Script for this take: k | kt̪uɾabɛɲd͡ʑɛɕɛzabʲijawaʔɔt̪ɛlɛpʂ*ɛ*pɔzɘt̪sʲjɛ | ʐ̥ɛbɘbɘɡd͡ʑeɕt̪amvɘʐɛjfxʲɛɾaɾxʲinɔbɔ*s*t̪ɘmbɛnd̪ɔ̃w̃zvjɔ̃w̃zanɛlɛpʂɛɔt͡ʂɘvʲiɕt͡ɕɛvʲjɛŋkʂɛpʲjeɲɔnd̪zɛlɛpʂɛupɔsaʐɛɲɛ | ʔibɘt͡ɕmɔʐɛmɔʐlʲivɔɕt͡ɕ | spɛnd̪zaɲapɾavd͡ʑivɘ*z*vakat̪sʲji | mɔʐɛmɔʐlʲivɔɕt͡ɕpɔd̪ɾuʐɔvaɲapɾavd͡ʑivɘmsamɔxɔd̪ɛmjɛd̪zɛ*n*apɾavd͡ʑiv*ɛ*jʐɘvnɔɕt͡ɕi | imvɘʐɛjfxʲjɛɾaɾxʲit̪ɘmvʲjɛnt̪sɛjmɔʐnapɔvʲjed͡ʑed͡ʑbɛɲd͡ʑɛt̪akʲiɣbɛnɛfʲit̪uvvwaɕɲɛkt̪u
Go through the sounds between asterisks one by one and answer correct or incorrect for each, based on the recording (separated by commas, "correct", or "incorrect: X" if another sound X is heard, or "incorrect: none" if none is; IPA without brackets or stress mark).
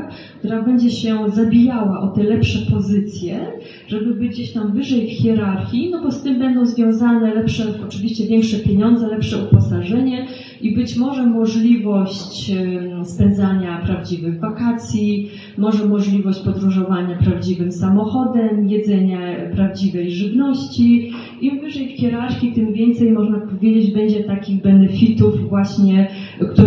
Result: correct, correct, incorrect: ɣ, incorrect: ɲ, correct